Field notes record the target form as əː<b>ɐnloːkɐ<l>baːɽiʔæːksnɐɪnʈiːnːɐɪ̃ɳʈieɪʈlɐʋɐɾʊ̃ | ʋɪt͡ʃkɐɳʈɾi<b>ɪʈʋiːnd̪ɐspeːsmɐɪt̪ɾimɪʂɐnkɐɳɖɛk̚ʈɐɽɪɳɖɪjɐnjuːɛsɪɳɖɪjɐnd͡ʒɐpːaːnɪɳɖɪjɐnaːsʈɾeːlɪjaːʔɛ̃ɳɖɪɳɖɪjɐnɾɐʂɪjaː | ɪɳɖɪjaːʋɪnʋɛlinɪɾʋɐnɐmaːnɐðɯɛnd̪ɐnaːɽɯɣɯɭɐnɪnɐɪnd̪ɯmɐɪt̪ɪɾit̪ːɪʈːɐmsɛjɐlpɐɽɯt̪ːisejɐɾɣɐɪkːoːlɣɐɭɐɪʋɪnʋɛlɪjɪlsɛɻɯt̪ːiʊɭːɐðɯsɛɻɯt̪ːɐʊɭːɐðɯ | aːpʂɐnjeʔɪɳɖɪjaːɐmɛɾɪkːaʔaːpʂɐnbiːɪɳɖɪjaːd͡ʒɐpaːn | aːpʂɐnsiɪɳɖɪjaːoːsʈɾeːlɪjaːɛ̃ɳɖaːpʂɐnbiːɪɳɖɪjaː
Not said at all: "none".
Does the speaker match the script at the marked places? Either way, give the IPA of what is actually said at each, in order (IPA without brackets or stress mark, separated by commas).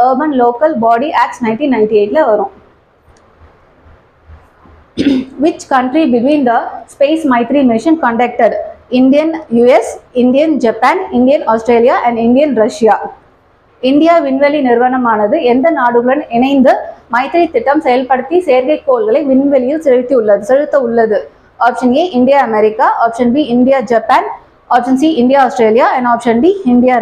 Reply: b, l, b